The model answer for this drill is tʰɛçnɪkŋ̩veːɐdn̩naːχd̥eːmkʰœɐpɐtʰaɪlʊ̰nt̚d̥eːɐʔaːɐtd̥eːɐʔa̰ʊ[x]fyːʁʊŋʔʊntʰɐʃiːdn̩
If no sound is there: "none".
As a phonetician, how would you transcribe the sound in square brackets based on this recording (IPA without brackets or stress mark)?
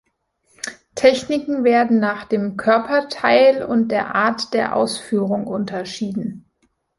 s